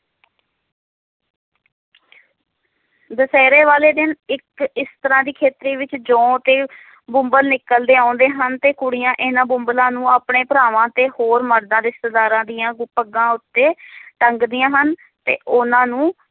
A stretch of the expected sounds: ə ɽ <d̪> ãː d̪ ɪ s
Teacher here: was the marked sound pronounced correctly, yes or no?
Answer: yes